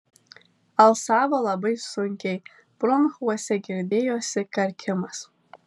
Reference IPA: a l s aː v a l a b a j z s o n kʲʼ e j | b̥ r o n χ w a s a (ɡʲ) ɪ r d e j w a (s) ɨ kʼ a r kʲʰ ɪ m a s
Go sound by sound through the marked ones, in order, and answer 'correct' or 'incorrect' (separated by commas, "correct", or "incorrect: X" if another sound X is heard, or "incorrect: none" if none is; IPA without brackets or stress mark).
correct, correct